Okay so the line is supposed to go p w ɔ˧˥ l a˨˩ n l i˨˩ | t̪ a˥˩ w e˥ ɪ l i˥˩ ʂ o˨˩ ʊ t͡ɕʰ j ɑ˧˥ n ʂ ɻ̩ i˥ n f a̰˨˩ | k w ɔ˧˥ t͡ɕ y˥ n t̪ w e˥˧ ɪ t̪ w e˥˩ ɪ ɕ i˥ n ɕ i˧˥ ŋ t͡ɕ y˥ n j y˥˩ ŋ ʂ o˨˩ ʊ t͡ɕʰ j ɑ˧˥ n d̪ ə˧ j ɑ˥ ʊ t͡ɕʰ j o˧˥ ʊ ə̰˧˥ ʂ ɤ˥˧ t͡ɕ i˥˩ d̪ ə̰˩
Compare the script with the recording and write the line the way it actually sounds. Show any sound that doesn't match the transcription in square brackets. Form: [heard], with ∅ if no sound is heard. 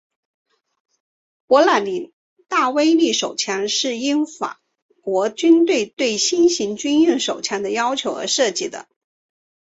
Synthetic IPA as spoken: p w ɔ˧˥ l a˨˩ n l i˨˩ | t̪ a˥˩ w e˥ ɪ l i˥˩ ʂ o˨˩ ʊ t͡ɕʰ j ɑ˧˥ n ʂ ɻ̩ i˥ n f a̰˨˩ | k w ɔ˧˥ t͡ɕ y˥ n t̪ w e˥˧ ɪ t̪ w e˥˩ ɪ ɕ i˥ n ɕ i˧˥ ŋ t͡ɕ y˥ n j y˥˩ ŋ ʂ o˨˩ ʊ t͡ɕʰ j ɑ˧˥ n d̪ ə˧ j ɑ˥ ʊ t͡ɕʰ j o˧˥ ʊ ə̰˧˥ ʂ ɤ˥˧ t͡ɕ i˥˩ d̪ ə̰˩